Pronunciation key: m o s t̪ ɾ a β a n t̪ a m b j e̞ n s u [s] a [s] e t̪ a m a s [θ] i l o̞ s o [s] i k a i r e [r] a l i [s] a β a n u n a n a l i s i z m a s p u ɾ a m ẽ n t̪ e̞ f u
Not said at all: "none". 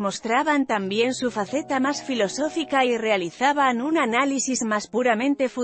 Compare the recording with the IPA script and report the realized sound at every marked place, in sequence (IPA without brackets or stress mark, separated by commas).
f, θ, f, f, none, θ